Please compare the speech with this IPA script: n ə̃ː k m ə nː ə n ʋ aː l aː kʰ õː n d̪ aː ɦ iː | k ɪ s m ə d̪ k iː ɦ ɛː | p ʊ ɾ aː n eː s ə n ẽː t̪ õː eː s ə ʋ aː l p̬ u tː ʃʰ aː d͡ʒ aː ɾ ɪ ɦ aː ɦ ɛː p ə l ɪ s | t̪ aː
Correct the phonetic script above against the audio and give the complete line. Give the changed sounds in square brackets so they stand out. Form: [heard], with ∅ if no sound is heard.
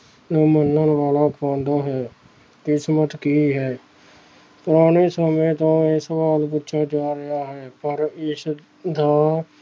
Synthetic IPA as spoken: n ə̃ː [∅] m ə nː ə n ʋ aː l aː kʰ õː n d̪ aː ɦ [ɛː] | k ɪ s m ə [t̪] k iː ɦ ɛː | p ʊ ɾ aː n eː s ə [m] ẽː t̪ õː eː s ə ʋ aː l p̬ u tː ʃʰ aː d͡ʒ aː ɾ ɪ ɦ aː ɦ ɛː p ə [ɾ] ɪ s | [d̪] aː